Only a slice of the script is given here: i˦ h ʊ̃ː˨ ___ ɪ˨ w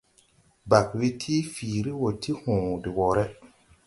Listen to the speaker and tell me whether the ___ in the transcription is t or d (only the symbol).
d